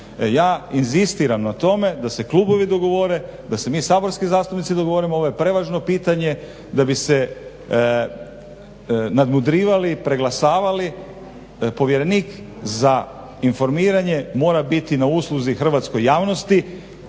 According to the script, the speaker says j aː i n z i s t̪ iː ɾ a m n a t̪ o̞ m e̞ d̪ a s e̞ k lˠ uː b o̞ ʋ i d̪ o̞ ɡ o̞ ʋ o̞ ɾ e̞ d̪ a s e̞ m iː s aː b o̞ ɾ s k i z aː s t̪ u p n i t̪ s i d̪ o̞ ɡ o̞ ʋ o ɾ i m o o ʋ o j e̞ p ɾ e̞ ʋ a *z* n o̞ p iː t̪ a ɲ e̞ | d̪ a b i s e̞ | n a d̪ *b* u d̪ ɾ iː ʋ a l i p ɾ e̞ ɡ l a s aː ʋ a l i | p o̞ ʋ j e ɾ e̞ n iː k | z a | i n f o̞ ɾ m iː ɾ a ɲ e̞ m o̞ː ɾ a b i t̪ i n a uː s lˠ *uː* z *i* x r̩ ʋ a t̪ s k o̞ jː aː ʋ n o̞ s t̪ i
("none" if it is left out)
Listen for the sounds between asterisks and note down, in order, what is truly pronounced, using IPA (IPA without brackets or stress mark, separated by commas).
ʒ, m, u, i